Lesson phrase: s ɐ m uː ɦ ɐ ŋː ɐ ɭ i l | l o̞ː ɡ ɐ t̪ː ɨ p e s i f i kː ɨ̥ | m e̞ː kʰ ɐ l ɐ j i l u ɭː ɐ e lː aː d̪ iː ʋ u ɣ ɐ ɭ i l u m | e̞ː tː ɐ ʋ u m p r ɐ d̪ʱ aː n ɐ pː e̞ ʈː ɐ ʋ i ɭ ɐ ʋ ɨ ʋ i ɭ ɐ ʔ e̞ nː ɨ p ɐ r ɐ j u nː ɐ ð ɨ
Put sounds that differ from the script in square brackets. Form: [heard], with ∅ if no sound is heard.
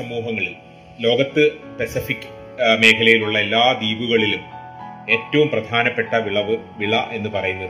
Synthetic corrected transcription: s ɐ m uː ɦ ɐ ŋː ɐ ɭ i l | l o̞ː ɡ ɐ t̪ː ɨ p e s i f i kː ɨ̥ | m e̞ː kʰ ɐ l ɐ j i l u ɭː ɐ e lː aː d̪ iː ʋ u ɣ ɐ ɭ i l u m | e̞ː tː ɐ ʋ u m p r ɐ d̪ʱ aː n ɐ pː e̞ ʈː ɐ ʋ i ɭ ɐ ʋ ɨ ʋ i ɭ ɐ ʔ e̞ nː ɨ p ɐ r ɐ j u nː ɐ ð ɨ